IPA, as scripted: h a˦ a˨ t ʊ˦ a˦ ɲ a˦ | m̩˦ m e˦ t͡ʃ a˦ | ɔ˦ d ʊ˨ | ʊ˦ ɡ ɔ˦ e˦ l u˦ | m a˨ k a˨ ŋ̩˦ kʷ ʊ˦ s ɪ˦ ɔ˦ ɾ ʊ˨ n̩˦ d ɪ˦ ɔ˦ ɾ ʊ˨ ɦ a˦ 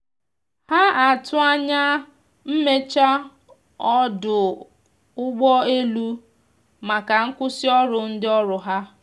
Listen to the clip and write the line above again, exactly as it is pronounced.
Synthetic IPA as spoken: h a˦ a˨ t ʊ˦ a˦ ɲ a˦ | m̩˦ m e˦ t͡ʃ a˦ | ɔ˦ d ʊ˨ | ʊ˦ ɡ͡b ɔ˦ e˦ l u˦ | m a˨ k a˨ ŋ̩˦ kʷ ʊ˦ s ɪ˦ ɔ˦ ɾ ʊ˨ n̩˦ d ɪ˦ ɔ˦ ɾ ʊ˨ ɦ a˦